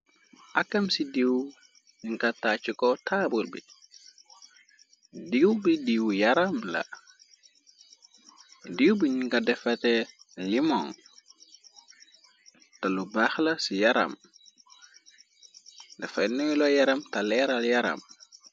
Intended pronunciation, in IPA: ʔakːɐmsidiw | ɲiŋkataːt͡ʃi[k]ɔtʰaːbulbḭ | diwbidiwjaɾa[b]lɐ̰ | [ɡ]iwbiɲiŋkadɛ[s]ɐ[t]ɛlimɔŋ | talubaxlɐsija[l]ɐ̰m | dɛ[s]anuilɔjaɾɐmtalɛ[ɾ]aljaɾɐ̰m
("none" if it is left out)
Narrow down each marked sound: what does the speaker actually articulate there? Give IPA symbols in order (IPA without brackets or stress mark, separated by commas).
k, m, d, f, t, ɾ, f, ɾ